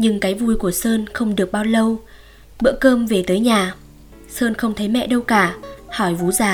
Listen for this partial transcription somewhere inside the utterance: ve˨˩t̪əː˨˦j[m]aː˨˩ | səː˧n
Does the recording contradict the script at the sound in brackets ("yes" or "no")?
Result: yes